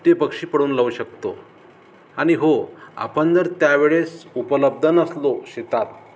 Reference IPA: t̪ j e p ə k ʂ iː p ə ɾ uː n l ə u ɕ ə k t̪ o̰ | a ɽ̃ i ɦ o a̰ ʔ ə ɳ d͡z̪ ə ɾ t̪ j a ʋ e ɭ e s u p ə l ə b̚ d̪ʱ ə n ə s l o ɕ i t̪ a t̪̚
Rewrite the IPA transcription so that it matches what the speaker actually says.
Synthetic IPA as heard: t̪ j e p ə k ʂ iː p ə ɽ uː n l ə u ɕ ə k t̪ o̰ | a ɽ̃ i ɦ o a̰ p ə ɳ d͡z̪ ə ɾ t̪ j a ʋ e ɭ e s u p ə l ə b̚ d̪ʱ ə n ə s l o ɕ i t̪ a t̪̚